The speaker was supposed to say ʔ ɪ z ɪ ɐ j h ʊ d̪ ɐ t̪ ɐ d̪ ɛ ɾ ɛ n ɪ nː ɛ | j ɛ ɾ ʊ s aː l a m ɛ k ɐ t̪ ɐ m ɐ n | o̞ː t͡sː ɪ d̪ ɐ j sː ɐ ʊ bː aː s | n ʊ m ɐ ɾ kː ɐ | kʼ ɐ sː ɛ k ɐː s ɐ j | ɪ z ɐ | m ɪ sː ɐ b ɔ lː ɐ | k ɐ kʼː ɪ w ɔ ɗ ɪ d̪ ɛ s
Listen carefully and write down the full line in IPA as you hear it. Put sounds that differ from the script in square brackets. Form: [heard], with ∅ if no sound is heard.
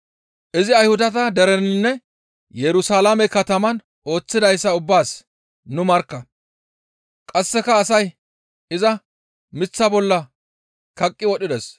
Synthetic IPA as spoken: ʔ ɪ z ɪ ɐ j h ʊ d̪ ɐ t̪ ɐ d̪ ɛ ɾ ɛ n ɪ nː ɛ | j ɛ ɾ ʊ s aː l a m ɛ k ɐ t̪ ɐ m ɐ n | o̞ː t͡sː ɪ d̪ ɐ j sː ɐ ʊ bː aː s | n ʊ m ɐ ɾ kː ɐ | kʼ ɐ sː ɛ k ɐː s ɐ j | ɪ z ɐ | m ɪ [t͡sː] ɐ b ɔ lː ɐ | k ɐ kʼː ɪ w ɔ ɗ ɪ d̪ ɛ s